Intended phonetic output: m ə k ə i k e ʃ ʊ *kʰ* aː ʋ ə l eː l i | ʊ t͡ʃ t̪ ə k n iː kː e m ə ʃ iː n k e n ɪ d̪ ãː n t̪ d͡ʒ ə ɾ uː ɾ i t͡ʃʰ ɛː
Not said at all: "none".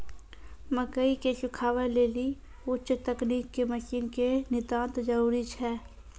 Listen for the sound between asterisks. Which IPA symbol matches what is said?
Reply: kʰ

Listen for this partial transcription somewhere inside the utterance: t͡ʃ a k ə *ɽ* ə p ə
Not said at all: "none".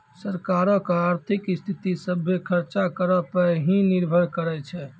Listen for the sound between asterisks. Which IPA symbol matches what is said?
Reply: ɾ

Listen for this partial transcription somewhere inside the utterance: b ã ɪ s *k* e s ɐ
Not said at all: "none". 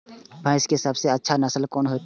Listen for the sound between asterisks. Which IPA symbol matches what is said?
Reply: k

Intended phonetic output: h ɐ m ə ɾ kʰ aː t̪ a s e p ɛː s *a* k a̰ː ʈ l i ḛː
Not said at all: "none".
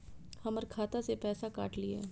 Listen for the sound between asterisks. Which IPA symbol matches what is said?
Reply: a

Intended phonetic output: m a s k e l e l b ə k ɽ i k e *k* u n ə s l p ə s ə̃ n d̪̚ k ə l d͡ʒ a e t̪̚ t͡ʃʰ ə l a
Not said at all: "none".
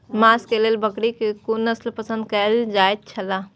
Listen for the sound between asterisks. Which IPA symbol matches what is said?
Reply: k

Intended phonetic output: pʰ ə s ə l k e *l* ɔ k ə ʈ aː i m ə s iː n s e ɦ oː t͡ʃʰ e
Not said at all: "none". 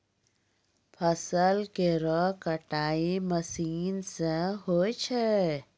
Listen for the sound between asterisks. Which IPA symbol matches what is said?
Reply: ɾ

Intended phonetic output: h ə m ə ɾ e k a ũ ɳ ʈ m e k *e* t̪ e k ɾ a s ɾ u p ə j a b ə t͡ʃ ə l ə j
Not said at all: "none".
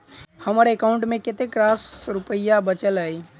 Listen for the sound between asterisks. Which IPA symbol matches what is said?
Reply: e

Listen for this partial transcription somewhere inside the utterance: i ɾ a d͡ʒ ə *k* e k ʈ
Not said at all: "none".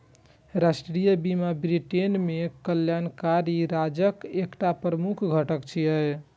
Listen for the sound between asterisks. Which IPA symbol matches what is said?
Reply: k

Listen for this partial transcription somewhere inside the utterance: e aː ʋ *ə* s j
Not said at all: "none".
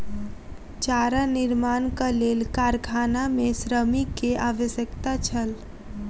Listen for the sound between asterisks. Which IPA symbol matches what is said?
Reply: ə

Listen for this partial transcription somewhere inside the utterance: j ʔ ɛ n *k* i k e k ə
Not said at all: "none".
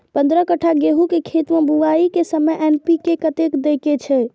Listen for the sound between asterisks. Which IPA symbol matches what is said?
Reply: p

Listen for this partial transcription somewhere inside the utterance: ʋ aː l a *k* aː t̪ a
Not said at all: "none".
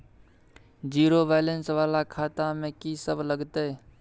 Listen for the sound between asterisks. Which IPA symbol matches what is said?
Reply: kʰ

